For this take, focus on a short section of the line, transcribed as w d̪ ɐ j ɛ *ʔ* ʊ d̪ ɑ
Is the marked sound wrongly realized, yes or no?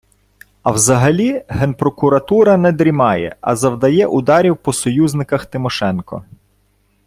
no